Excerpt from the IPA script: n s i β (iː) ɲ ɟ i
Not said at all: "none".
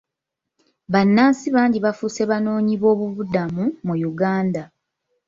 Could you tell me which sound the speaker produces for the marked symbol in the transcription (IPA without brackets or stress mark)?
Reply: aː